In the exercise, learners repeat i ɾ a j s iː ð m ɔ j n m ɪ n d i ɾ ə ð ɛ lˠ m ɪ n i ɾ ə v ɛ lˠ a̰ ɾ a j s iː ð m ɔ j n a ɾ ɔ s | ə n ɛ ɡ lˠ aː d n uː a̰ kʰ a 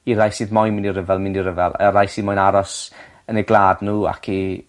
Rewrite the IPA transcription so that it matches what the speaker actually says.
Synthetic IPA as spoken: i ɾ a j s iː ð m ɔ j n m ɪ n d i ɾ ə v ɛ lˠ m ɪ n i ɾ ə v ɛ lˠ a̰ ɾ a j s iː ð m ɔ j n a ɾ ɔ s | ə n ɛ ɡ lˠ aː d n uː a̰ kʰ i